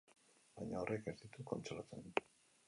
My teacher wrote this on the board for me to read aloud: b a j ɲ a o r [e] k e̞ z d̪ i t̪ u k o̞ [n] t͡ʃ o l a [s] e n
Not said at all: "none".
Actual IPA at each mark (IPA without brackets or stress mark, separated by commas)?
e, n, t͡s